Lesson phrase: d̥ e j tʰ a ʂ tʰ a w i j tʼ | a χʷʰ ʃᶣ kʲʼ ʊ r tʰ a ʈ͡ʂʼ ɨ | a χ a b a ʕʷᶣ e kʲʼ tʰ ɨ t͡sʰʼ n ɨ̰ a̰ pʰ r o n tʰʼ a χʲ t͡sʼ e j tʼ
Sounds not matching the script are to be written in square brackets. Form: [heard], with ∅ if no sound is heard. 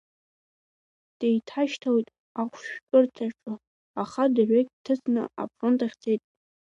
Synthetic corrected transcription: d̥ e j tʰ a [ʃ] tʰ a w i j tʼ | a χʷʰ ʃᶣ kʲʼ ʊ r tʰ a ʈ͡ʂʼ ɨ | a χ a [d] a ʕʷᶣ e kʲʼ tʰ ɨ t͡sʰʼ n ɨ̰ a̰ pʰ r o n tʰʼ a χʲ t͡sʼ e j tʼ

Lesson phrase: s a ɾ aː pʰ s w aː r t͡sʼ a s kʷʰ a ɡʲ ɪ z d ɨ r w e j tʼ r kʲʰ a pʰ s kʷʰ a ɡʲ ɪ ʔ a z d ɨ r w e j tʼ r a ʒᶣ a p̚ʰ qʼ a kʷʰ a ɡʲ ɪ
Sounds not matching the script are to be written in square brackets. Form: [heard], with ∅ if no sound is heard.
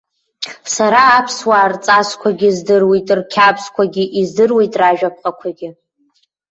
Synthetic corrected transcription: s a ɾ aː pʰ s w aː r t͡sʼ a s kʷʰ a ɡʲ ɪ z d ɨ r w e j tʼ r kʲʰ a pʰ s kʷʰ a ɡʲ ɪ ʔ [i] z d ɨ r w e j tʼ r a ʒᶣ a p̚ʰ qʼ a kʷʰ a ɡʲ ɪ

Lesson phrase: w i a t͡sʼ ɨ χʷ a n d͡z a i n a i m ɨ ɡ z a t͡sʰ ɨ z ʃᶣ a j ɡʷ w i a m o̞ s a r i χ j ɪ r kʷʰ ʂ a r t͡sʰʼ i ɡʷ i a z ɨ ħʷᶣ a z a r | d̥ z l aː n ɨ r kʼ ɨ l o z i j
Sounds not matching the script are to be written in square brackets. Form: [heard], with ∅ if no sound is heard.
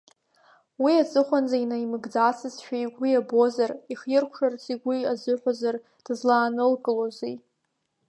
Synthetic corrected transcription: w i a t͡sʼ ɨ χʷ a n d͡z a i n a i m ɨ ɡ [d͡z] a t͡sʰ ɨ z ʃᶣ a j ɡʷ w i a [b] o̞ [z] a r i χ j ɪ r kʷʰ ʂ a r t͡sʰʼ i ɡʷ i a z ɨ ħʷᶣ a z a r | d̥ z l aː n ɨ [l] kʼ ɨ l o z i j

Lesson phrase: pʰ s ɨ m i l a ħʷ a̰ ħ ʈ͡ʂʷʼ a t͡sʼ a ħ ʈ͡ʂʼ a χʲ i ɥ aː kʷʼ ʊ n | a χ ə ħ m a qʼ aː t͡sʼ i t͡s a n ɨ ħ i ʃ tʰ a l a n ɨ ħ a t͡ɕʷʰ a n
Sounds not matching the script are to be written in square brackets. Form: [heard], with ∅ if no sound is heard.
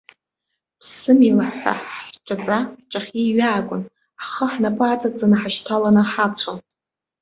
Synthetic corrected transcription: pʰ s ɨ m i l a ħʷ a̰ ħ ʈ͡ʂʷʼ a t͡sʼ a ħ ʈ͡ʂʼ a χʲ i ɥ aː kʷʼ ʊ n | a χ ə ħ [n] a [pʼ] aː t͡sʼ [a] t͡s a n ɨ ħ [a] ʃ tʰ a l a n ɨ ħ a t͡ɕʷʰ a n

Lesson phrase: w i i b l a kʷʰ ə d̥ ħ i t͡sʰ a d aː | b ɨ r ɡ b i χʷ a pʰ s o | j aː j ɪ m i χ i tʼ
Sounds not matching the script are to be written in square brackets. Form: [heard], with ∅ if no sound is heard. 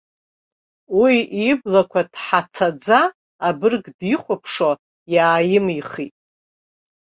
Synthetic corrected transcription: w i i b l a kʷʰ [a] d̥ ħ [a] t͡sʰ a [d͡z] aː | b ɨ r ɡ [d] i χʷ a pʰ [ʂ] o | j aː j ɪ m i χ i tʼ

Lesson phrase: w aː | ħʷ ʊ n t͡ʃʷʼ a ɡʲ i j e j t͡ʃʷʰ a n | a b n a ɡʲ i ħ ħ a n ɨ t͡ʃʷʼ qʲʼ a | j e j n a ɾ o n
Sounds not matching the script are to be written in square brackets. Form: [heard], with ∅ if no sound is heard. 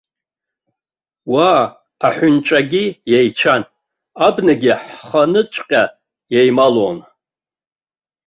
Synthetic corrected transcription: w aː | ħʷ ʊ n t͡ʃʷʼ a ɡʲ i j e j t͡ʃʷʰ a n | a b n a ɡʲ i ħ [χ] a n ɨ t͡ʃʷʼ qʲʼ a | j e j [m] a [l] o n

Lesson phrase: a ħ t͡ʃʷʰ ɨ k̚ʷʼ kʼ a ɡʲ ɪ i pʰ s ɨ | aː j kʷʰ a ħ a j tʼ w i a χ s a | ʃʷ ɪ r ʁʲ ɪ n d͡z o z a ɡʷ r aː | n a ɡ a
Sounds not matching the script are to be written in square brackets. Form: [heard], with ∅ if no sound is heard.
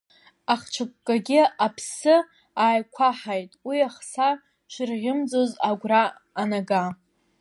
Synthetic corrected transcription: a [χ] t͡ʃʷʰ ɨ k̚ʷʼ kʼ a ɡʲ ɪ [a] pʰ s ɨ | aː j kʷʰ a ħ a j tʼ w i a χ s a | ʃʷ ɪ r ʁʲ ɪ [m] d͡z o z a ɡʷ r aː | n a ɡ a

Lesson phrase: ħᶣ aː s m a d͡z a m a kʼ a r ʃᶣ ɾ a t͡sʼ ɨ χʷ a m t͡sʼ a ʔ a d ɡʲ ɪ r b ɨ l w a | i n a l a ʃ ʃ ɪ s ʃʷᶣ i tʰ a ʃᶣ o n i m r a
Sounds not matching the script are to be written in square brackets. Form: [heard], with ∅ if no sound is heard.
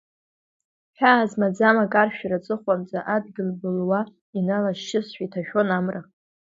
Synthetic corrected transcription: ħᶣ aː [z] m a d͡z a m a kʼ a r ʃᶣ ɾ a t͡sʼ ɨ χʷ a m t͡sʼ a ʔ a d ɡʲ ɪ [l] b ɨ l w a | i n a l a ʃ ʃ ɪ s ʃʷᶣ i tʰ a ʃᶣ o n [a] m r a

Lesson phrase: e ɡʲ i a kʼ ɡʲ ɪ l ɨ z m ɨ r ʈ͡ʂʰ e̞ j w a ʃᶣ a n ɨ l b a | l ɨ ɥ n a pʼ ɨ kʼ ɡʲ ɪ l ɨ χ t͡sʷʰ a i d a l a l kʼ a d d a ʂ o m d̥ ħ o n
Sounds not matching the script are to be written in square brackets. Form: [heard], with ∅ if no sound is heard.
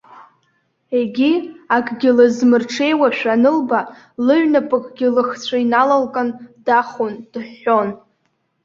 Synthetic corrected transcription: e ɡʲ i a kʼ ɡʲ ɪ l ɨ z m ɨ r ʈ͡ʂʰ e̞ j w a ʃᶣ a n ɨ l b a | l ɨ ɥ n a pʼ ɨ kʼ ɡʲ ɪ l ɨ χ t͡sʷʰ a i [n] a l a l kʼ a [n] d a [χ] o [n] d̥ ħ o n

